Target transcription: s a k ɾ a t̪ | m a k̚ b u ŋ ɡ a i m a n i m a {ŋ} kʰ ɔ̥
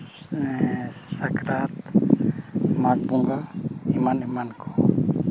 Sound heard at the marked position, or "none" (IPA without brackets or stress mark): n